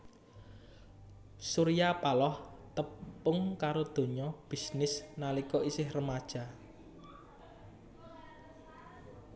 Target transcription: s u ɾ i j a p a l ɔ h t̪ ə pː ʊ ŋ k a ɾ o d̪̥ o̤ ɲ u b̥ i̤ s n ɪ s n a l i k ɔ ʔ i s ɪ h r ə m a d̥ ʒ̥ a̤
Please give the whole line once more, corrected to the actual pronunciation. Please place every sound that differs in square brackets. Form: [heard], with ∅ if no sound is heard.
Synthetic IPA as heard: s u ɾ i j a p a l ɔ h t̪ ə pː ʊ ŋ k a ɾ o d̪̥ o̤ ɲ [ɔ] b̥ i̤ s n ɪ s n a l i k ɔ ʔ i s ɪ h r ə m a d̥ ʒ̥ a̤